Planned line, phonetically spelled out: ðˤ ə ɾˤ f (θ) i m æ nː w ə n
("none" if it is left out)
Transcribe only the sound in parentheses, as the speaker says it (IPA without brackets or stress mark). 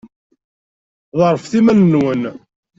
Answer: θ